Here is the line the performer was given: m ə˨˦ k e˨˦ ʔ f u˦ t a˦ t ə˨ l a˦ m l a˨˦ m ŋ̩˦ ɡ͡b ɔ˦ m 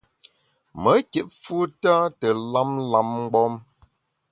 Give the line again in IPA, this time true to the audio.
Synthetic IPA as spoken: m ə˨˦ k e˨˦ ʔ f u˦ t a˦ t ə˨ l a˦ m l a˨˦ m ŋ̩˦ ɡ͡b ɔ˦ m